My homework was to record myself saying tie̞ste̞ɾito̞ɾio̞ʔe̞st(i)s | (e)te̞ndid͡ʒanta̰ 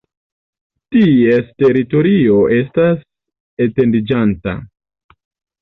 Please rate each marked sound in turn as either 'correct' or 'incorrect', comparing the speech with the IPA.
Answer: incorrect: a, correct

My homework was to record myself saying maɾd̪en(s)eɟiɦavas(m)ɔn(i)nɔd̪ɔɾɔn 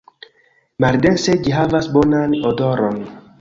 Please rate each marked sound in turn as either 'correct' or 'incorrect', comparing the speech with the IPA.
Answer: correct, incorrect: b, incorrect: a

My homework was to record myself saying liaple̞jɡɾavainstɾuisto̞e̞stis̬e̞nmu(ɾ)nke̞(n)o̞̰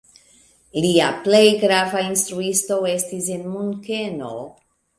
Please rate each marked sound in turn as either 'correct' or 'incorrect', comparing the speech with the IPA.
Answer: incorrect: none, correct

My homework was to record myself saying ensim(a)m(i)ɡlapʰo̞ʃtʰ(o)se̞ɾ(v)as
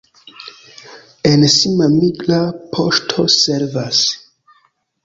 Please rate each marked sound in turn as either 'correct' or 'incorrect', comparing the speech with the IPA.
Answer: correct, correct, correct, correct

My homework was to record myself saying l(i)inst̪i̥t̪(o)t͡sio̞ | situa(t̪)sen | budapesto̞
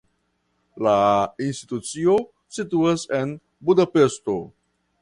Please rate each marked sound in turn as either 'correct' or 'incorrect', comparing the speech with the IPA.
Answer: incorrect: a, incorrect: u, incorrect: none

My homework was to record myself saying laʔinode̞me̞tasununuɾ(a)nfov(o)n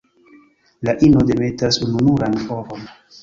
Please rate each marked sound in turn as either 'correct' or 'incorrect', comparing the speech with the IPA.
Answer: correct, correct

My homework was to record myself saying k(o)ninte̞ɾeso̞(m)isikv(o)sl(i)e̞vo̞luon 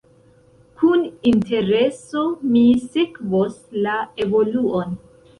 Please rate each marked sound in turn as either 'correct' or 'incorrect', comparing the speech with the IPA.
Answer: incorrect: u, correct, correct, incorrect: a

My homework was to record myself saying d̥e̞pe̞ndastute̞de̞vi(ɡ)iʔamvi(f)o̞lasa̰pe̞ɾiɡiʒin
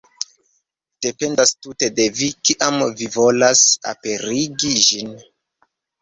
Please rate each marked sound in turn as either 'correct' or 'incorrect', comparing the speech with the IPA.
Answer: incorrect: k, incorrect: v

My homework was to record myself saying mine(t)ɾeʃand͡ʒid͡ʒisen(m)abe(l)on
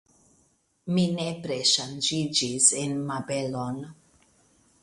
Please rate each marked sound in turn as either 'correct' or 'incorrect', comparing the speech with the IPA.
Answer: incorrect: p, correct, correct

